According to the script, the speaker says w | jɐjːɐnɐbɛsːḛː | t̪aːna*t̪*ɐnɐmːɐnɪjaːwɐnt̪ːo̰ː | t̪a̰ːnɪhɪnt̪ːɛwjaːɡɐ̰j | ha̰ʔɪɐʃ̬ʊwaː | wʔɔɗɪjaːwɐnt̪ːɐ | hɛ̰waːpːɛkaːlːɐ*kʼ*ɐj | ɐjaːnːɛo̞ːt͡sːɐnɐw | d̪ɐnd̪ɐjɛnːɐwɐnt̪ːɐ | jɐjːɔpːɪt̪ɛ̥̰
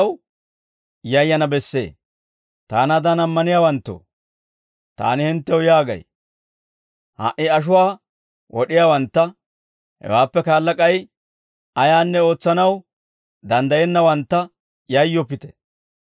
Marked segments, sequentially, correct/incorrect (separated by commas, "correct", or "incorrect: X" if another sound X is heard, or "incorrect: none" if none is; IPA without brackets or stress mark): incorrect: d̪, correct